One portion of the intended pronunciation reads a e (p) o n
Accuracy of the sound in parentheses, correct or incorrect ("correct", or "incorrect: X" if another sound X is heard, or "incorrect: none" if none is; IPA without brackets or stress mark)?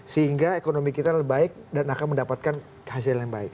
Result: incorrect: k